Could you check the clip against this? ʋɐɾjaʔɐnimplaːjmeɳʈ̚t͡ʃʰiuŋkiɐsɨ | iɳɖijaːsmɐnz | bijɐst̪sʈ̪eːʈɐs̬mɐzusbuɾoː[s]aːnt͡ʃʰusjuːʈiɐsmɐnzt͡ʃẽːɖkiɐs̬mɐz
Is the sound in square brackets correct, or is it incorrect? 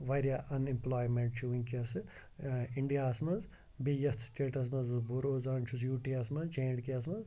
incorrect